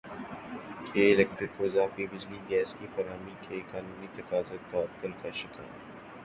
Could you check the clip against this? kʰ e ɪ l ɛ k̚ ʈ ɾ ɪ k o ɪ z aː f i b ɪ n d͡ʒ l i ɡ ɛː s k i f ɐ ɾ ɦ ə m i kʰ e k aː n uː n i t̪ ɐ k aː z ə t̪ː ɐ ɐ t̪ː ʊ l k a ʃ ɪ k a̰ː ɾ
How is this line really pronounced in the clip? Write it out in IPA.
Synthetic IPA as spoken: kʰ e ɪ l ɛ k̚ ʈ ɾ ɪ k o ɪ z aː f i b ɪ d͡ʒ l i ɡ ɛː s k i f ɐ ɾ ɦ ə m i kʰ e k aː n uː n i t̪ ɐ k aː z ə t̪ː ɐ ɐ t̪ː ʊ l k a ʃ ɪ k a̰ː ɾ